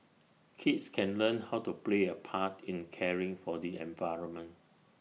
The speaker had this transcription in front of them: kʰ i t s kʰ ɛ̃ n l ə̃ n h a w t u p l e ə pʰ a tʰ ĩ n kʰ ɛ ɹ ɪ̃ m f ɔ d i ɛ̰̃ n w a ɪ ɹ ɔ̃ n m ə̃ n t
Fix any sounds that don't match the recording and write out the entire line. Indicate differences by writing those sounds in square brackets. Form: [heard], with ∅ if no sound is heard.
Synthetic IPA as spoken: kʰ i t s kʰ ɛ̃ n l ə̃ n h a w t u p l e ə pʰ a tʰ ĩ n kʰ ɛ ɹ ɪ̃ [ŋ] f ɔ d i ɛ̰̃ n [v] a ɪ ɹ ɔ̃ n m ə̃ n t